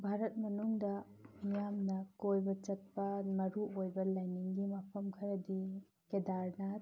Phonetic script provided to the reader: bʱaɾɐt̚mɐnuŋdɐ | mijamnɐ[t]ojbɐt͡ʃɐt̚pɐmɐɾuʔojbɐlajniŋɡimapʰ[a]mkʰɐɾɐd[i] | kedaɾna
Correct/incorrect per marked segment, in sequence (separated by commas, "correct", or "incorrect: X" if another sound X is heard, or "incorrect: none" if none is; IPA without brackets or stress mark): incorrect: k, incorrect: ɐ, correct